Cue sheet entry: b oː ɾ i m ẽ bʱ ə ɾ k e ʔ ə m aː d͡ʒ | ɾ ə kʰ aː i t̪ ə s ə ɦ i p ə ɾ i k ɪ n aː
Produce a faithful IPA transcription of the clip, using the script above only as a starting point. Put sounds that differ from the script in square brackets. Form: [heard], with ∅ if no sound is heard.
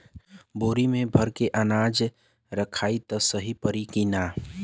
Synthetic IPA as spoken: b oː ɾ i m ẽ bʱ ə ɾ k e ʔ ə [n] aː d͡ʒ | ɾ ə kʰ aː i t̪ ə s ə ɦ i p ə ɾ i k [i] n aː